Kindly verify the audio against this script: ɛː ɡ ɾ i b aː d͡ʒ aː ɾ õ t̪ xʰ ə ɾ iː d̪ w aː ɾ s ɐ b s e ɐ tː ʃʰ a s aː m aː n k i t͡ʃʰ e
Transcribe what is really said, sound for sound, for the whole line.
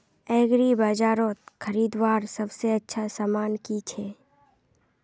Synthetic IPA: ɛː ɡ ɾ i b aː d͡ʒ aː ɾ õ t̪ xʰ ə ɾ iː d̪ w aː ɾ s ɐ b s e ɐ tː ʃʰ a s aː m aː n k i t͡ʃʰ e